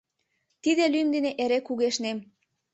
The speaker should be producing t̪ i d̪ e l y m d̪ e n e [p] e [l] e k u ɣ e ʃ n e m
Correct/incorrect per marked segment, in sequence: incorrect: ʔ, incorrect: ɾ

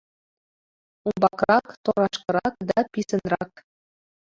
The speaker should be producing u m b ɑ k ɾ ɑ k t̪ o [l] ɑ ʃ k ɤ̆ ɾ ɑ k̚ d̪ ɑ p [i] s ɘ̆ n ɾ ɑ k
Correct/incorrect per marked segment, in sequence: incorrect: ɾ, correct

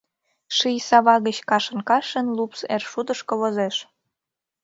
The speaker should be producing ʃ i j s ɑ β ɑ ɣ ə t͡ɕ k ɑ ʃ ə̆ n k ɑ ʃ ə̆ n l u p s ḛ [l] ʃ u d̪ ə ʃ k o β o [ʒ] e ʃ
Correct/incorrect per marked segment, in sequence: incorrect: r, incorrect: z

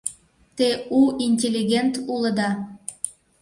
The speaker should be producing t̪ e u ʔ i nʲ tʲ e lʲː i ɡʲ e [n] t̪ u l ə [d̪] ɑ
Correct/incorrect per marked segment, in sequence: correct, correct

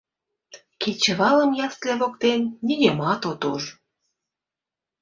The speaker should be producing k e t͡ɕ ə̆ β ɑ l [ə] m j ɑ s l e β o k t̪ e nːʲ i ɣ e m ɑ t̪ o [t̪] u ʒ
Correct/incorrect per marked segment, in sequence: correct, correct

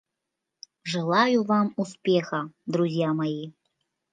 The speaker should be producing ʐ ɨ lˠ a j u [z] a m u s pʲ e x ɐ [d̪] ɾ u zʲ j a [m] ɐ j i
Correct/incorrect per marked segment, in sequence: incorrect: v, correct, correct

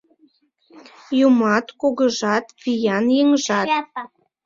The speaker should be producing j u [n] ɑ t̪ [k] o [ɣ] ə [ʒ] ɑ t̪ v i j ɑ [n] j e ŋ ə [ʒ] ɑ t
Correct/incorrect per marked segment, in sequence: incorrect: m, correct, correct, correct, correct, correct

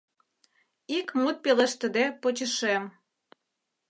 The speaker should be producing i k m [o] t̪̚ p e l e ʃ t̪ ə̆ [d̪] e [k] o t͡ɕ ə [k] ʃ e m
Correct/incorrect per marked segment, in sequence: incorrect: u, correct, incorrect: p, incorrect: none

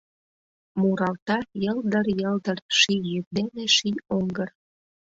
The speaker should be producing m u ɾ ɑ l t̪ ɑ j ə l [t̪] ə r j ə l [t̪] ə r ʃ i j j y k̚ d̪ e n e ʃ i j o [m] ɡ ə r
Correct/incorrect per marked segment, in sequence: incorrect: d̪, incorrect: d̪, incorrect: ŋ

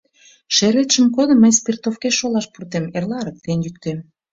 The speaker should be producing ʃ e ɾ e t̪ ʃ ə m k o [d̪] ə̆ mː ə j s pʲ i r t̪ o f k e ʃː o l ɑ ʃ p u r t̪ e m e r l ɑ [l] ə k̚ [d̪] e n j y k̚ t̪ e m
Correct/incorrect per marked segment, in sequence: correct, incorrect: ɾ, incorrect: t̪

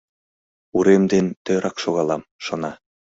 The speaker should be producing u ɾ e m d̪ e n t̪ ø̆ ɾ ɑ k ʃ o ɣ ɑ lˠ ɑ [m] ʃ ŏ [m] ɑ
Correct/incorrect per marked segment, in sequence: correct, incorrect: n

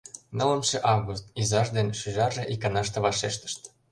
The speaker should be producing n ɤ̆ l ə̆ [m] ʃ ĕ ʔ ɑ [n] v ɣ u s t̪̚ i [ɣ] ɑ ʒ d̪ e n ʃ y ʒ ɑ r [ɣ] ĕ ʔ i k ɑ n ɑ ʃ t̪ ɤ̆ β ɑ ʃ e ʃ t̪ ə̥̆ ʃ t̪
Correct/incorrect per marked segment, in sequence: correct, incorrect: none, incorrect: z, incorrect: ʒ

